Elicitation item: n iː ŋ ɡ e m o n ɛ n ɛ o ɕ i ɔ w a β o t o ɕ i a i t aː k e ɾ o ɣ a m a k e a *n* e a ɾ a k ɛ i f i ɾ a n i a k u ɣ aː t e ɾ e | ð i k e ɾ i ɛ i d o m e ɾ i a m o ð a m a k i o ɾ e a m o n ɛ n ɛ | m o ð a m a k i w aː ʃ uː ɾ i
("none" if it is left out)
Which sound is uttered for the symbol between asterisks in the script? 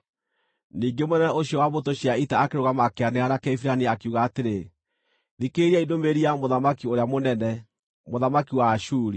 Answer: n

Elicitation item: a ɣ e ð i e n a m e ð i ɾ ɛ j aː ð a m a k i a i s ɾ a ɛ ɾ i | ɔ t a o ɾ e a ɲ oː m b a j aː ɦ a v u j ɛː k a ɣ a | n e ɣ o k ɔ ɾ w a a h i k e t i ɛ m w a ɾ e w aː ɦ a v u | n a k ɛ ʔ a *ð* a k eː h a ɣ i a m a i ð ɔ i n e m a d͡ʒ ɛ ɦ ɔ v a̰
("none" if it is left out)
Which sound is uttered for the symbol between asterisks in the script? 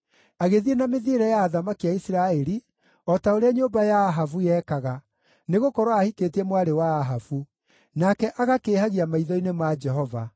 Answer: ɣ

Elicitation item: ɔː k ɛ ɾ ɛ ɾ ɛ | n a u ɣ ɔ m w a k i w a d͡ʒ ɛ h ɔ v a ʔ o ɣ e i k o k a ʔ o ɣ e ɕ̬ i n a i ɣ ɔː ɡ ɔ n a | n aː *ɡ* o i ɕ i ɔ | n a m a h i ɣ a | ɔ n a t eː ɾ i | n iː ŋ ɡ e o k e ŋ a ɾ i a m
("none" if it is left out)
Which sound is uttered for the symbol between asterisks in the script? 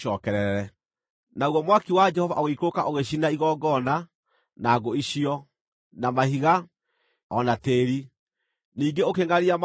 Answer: ɡ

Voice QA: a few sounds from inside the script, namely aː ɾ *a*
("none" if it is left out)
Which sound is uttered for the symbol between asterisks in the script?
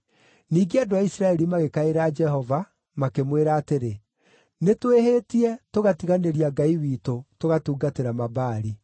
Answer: i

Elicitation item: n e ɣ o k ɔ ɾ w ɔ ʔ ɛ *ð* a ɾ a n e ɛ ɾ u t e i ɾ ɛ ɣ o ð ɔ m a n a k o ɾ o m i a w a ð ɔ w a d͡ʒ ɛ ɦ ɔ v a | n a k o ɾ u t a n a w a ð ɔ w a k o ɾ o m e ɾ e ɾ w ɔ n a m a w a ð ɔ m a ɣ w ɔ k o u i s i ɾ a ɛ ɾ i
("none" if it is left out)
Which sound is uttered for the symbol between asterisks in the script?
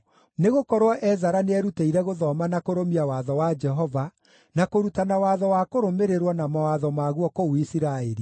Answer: z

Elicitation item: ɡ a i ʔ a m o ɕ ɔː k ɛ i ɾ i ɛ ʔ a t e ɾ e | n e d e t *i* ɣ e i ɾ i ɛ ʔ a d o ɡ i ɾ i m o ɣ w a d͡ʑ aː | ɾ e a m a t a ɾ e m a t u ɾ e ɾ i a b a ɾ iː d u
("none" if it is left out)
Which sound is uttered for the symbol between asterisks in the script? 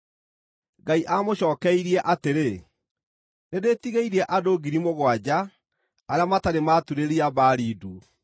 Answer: i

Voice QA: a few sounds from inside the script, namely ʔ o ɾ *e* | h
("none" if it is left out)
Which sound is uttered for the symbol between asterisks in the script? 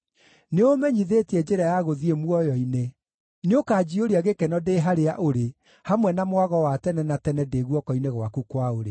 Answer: e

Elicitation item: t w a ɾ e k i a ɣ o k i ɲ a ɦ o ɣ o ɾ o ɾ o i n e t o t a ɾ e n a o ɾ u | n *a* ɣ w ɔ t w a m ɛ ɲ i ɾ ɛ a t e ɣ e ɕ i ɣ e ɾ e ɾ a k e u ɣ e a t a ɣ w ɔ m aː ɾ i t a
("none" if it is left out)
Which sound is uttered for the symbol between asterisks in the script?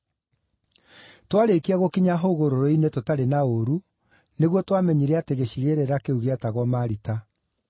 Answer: e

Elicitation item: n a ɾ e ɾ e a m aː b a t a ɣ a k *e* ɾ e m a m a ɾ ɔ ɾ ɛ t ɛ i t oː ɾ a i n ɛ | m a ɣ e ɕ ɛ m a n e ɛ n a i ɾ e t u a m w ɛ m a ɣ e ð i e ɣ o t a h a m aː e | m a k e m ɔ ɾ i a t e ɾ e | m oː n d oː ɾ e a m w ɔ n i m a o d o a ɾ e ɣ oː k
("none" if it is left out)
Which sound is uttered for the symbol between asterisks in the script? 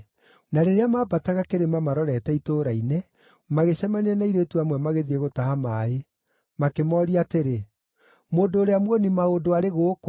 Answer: e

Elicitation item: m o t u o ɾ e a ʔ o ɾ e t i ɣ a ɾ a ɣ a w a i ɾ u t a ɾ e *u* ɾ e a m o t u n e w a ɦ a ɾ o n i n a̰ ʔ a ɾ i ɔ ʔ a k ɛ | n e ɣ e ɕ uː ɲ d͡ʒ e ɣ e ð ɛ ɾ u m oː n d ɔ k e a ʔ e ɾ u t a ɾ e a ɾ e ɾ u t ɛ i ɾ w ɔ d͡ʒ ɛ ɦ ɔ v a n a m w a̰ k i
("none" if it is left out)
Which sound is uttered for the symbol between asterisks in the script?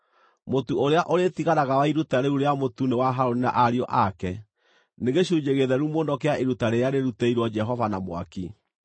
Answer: u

